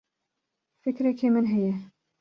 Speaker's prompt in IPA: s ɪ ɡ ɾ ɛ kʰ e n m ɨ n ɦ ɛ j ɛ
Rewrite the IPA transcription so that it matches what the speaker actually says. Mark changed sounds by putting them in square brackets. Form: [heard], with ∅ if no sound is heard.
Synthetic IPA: [f] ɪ [k] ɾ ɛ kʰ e [∅] m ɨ n ɦ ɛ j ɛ